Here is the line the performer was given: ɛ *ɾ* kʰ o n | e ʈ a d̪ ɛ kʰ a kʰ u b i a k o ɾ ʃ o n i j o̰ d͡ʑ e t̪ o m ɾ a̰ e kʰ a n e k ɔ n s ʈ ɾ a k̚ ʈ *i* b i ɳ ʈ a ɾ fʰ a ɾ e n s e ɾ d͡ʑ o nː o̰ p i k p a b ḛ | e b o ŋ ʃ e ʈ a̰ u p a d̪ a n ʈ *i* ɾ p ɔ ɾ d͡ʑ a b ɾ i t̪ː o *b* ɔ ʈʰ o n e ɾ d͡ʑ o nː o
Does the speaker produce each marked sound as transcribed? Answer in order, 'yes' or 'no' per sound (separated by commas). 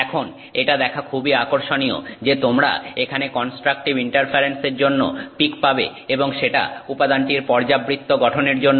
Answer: no, yes, yes, no